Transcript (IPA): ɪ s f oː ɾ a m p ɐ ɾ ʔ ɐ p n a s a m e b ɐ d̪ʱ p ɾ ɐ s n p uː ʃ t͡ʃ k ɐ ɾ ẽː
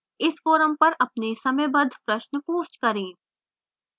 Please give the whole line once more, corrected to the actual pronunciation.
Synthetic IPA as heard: ɪ s f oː ɾ ə m p ɐ ɾ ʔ ɐ p n e s ɐ m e b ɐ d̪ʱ p ɾ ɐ ʃ n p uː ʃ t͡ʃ k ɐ ɾ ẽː